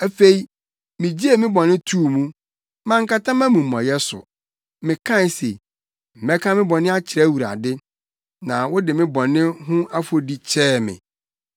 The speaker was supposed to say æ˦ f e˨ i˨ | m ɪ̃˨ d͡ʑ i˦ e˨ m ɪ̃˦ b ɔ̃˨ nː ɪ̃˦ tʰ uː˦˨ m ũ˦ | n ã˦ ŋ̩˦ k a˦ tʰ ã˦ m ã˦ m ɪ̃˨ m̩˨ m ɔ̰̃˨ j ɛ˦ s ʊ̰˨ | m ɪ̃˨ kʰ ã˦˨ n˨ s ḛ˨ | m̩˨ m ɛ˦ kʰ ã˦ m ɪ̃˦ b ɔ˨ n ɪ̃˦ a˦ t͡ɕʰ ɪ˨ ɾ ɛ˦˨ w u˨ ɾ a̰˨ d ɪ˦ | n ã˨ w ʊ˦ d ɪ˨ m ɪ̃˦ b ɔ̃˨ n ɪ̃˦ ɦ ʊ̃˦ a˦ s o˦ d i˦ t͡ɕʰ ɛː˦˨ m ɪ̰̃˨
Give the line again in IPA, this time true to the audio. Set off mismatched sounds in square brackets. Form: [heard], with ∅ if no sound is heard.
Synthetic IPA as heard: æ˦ f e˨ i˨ | m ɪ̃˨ d͡ʑ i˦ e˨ m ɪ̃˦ b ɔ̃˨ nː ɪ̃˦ tʰ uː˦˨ m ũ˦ | [m] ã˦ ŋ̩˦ k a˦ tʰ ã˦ m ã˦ m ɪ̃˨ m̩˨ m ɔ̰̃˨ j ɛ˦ s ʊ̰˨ | m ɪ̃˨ kʰ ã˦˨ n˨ s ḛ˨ | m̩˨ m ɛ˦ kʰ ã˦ m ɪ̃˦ b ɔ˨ n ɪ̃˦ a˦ t͡ɕʰ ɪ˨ ɾ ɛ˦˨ w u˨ ɾ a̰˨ d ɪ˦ | n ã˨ w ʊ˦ d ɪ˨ m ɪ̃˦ b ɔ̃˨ n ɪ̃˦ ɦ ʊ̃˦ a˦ [f] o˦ d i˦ t͡ɕʰ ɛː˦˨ m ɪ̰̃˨